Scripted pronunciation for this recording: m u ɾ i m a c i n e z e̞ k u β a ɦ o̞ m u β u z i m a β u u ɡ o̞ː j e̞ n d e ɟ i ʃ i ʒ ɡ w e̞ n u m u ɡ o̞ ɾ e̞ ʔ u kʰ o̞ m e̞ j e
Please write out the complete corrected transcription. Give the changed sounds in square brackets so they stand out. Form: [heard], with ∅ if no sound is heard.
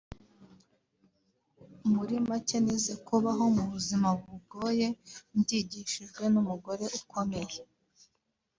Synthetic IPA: m u ɾ i m a c [e] n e z e̞ k u β a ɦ o̞ m u β u z i m a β u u ɡ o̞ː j e̞ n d [i] ɟ i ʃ i ʒ ɡ w e̞ n u m u ɡ o̞ ɾ e̞ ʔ u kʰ o̞ m e̞ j e